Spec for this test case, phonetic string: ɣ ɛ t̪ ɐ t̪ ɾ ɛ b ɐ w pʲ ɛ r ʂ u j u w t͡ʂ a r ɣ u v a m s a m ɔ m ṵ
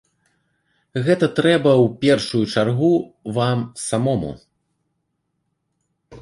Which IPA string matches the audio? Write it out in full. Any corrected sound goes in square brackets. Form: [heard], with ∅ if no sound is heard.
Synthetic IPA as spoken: ɣ ɛ t̪ ɐ t̪ ɾ ɛ b ɐ w pʲ ɛ r ʂ u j u [∅] t͡ʂ a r ɣ u v a m s a m ɔ m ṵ